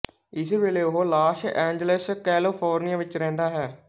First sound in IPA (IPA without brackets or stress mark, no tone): ɪ